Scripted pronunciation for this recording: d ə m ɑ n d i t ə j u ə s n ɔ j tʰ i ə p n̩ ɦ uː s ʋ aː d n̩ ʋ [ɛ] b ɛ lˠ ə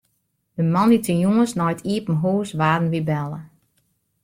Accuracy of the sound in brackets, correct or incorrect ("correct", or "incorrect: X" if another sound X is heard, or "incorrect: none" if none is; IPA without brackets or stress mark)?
incorrect: i